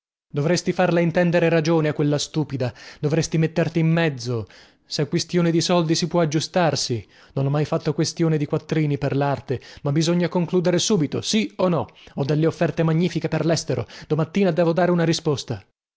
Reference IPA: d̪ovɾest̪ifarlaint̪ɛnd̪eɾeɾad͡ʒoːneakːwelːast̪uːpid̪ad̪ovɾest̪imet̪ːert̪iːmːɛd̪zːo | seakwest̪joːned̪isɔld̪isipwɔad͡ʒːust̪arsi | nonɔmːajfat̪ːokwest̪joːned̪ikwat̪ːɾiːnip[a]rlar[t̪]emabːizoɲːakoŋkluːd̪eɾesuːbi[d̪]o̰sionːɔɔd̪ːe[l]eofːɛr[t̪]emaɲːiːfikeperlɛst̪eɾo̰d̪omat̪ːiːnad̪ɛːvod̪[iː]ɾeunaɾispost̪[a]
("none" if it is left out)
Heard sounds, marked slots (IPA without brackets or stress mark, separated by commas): e, t̪, t̪, lː, t̪, aː, a